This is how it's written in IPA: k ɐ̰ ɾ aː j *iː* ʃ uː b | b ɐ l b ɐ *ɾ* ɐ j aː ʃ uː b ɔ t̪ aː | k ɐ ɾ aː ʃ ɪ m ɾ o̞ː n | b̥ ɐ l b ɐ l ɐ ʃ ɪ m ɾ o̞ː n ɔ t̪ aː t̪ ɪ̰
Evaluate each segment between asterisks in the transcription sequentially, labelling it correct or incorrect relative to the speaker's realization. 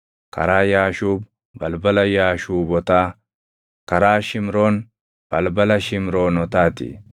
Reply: incorrect: aː, incorrect: l

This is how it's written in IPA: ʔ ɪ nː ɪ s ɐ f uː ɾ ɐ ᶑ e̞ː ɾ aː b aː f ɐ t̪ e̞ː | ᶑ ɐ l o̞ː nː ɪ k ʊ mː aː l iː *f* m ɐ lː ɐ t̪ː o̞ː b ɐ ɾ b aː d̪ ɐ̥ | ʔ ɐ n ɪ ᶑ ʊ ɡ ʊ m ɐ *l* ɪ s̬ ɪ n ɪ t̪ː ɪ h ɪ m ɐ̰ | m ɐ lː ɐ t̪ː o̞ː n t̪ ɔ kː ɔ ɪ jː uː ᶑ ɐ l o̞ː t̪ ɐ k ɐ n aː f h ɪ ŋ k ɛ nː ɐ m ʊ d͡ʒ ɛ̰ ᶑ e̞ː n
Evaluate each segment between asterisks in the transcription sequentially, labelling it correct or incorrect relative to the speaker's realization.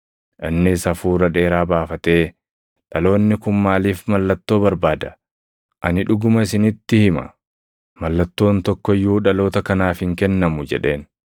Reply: correct, incorrect: none

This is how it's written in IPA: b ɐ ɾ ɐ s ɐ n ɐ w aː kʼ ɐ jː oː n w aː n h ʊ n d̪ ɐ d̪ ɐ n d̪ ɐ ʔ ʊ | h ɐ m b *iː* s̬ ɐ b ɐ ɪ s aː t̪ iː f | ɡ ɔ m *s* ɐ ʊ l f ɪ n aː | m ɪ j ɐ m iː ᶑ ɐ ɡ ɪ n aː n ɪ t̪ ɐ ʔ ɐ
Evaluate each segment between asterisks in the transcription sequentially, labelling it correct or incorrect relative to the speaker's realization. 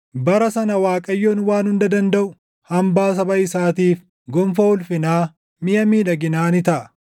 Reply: incorrect: aː, incorrect: f

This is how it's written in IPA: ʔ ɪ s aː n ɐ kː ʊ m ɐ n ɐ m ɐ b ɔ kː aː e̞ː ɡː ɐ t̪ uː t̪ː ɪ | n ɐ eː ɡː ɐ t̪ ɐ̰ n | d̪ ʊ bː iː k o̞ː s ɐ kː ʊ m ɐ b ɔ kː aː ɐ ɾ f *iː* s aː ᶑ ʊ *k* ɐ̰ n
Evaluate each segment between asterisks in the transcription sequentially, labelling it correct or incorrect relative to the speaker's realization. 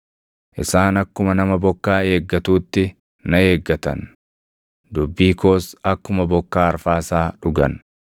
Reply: incorrect: aː, incorrect: ɡ

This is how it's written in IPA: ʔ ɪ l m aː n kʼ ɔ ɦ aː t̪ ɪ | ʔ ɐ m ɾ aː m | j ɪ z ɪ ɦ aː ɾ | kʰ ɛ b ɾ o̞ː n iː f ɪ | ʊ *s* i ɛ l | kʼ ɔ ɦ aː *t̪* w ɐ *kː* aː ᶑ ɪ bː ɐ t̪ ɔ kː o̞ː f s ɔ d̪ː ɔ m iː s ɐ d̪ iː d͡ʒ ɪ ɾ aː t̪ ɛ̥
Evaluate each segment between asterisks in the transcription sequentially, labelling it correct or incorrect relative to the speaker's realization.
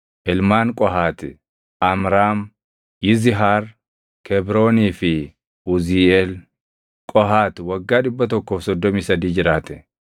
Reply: incorrect: z, correct, incorrect: ɡː

